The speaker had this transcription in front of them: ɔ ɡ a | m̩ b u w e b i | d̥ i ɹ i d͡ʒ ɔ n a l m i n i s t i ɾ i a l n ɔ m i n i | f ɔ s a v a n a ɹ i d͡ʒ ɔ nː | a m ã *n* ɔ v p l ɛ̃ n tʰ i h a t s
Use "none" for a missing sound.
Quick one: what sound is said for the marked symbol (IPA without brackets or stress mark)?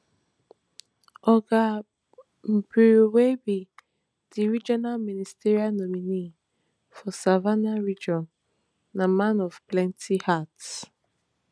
n